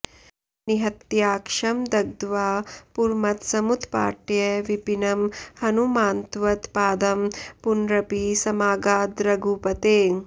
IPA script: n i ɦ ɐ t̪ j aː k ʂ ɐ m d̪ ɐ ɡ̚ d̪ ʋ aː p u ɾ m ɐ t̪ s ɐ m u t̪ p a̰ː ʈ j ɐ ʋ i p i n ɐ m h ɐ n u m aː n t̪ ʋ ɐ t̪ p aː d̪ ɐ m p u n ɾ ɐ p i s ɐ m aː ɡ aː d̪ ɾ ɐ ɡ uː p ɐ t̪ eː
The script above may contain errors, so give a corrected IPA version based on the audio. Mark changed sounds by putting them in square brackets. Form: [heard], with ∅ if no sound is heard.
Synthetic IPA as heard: n i ɦ ɐ t̪ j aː k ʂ ɐ m d̪ ɐ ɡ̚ d̪ ʋ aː p u ɾ m ɐ t̪ s ɐ m u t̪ p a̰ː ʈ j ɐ ʋ i p i n ɐ m h ɐ n u m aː n t̪ ʋ ɐ t̪ p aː d̪ ɐ m p u n ɾ ɐ p i s ɐ m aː ɡ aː d̪ ɾ ɐ ɡ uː p ɐ t̪ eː

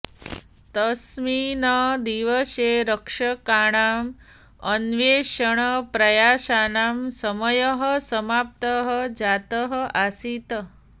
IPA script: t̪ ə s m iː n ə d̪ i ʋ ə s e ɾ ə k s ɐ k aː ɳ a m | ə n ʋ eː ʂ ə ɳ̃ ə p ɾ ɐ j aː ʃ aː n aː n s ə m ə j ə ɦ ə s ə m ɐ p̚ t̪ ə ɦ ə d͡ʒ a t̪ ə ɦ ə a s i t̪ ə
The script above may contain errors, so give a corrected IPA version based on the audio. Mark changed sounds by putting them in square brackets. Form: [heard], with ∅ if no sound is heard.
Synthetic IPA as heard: t̪ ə s m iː n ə d̪ i ʋ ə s e ɾ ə k [ʂ] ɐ k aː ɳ a m | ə n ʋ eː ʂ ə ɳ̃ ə p ɾ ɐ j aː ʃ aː n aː [m] s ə m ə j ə ɦ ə s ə m [a] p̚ t̪ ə ɦ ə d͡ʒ a t̪ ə ɦ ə a s i t̪ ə

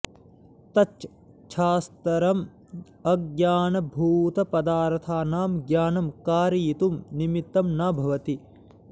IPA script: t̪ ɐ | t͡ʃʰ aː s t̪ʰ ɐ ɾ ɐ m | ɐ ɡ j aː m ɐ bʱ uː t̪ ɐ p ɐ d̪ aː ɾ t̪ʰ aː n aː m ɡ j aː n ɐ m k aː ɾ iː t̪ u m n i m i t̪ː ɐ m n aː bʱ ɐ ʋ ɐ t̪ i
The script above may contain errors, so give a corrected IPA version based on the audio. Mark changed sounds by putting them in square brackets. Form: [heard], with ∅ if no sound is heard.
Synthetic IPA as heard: t̪ ɐ | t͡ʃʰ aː s [t̪] ɐ ɾ ɐ m | ɐ ɡ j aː [n] ɐ bʱ uː t̪ ɐ p ɐ d̪ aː ɾ t̪ʰ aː n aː m ɡ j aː n ɐ m k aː ɾ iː t̪ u m n i m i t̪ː ɐ m n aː bʱ ɐ ʋ ɐ t̪ i

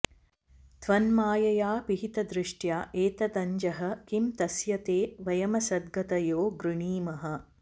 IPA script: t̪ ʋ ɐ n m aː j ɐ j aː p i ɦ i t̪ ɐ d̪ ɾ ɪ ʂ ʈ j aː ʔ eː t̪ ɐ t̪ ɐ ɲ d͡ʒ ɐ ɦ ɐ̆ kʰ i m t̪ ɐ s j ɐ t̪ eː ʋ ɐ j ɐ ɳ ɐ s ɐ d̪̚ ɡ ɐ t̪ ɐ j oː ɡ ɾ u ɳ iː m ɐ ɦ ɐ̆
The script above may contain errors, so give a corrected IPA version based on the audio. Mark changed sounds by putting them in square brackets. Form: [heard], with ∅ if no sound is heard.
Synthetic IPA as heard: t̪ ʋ ɐ n m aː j ɐ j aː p i ɦ i t̪ ɐ d̪ ɾ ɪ ʂ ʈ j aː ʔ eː t̪ ɐ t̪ ɐ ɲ d͡ʒ ɐ ɦ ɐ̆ [k] i m t̪ ɐ s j ɐ t̪ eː ʋ ɐ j ɐ [m] ɐ s ɐ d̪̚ ɡ ɐ t̪ ɐ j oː ɡ ɾ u ɳ iː m ɐ ɦ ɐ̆

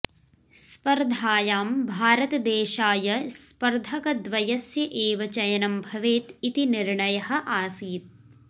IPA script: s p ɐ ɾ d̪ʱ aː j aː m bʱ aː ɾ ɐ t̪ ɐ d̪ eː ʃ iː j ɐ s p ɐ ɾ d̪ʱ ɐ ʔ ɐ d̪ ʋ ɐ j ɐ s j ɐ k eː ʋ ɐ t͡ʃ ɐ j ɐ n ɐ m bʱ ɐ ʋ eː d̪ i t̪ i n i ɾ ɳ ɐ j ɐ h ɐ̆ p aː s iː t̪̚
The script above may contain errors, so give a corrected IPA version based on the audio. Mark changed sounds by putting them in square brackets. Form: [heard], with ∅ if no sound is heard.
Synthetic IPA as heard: s p ɐ ɾ d̪ʱ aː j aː m bʱ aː ɾ ɐ t̪ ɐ d̪ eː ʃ [aː] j ɐ s p ɐ ɾ d̪ʱ ɐ [k] ɐ d̪ ʋ ɐ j ɐ s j ɐ [ʔ] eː ʋ ɐ t͡ʃ ɐ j ɐ n ɐ m bʱ ɐ ʋ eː [t̪] i t̪ i n i ɾ ɳ ɐ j ɐ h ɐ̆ [ʔ] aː s iː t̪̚

